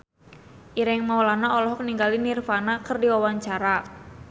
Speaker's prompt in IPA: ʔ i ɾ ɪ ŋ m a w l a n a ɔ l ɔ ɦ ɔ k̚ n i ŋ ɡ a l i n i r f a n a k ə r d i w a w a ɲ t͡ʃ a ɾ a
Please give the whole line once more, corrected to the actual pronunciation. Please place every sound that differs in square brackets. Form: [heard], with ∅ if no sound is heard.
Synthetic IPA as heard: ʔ i ɾ ɪ ŋ m a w l a n a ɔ l ɔ ɦ ɔ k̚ n i ŋ ɡ a l i n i r f a n a k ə r d i w a w a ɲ t͡ʃ a ɾ a